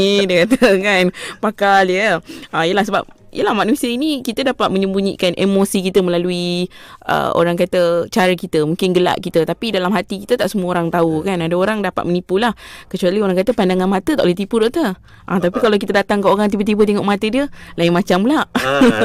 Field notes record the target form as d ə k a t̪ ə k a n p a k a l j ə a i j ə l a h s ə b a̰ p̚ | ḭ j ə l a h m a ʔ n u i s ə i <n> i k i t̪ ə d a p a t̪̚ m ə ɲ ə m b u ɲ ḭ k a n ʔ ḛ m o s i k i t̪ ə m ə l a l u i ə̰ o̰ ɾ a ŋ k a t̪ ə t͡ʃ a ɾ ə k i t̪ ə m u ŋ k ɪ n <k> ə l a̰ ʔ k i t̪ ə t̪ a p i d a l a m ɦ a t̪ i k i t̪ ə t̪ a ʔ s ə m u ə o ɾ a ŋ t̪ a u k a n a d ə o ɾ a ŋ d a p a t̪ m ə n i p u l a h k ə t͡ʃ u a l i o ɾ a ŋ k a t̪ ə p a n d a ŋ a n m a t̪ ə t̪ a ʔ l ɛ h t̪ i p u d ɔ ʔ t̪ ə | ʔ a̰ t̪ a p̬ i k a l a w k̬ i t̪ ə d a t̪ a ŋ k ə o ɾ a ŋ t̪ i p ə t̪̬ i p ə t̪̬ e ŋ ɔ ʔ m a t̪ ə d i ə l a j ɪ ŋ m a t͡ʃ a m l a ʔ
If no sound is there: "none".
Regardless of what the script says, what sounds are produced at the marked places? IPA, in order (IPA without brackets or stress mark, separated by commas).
n, ɡ